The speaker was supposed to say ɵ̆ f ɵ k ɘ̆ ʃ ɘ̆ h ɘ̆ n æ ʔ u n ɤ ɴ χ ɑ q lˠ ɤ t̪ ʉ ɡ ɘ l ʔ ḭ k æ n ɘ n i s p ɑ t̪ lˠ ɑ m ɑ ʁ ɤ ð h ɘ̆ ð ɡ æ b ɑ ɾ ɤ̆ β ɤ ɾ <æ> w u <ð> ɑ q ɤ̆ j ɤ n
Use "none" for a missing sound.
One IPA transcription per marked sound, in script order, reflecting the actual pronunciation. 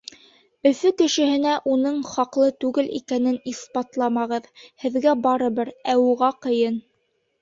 æ, ʁ

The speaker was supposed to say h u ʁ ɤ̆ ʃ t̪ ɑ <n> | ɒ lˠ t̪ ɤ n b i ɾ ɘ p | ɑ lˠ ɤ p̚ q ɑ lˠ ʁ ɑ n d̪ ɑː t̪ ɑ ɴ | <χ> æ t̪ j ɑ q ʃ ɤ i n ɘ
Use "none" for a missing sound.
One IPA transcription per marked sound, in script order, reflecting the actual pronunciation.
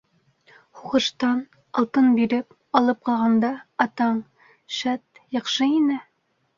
n, ʃ

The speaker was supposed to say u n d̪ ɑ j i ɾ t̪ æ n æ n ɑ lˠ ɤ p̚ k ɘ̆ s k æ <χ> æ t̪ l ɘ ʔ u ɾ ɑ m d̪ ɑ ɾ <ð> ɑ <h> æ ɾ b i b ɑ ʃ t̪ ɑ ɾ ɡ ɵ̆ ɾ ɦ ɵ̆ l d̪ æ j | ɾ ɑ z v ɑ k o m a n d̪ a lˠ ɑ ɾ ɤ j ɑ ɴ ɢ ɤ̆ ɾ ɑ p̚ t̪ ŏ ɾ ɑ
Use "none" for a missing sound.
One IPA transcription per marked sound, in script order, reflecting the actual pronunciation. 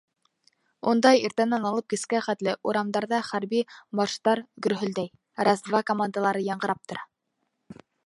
χ, ð, χ

